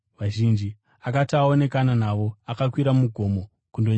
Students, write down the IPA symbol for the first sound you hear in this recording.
ʋ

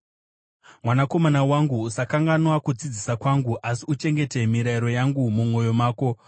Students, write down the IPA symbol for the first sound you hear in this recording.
m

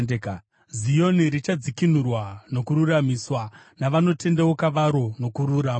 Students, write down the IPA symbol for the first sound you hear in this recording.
z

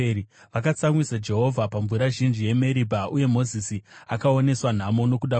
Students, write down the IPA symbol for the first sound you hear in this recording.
ʋ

